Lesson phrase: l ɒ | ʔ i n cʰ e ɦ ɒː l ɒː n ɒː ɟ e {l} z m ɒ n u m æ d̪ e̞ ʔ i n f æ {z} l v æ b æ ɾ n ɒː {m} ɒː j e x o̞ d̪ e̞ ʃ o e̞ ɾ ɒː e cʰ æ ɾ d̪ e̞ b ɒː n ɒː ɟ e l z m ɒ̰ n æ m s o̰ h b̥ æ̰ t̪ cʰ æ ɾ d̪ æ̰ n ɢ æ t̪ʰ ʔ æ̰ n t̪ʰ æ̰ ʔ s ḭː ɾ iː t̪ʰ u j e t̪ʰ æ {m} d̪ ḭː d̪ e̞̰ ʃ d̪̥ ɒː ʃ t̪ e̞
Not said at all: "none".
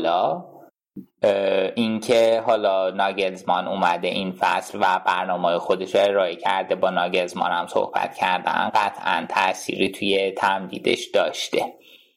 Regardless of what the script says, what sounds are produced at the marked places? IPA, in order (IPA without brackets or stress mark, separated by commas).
l, s, m, m